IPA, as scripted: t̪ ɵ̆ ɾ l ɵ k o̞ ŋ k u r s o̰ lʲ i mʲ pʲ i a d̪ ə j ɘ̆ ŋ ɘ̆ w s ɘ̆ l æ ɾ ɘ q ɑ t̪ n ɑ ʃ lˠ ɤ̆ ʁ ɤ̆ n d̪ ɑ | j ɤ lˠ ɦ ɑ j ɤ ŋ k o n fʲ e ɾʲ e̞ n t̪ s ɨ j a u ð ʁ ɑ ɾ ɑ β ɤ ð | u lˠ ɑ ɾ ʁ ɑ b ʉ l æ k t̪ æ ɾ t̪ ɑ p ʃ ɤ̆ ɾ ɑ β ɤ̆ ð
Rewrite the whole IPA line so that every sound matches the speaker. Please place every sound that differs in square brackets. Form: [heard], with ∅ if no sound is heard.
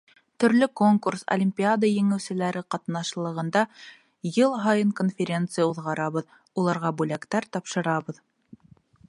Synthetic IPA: t̪ ɵ̆ ɾ l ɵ k o̞ ŋ k u r s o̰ lʲ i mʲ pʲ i a d̪ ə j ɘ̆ ŋ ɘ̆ w s ɘ̆ l æ ɾ ɘ q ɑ t̪ n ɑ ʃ lˠ ɤ̆ ʁ ɤ̆ n d̪ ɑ | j ɤ lˠ ɦ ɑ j ɤ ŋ k o n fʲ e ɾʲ e̞ n t̪ s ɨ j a u ð ʁ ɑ ɾ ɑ β ɤ ð | u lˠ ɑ ɾ ʁ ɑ b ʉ l æ k t̪ æ ɾ t̪ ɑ p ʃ ɤ̆ ɾ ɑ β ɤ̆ ð